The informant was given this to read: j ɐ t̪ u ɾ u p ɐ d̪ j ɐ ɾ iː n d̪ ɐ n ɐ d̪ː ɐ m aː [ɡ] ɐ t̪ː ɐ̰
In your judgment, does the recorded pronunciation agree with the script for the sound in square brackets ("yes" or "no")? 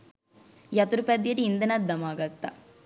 yes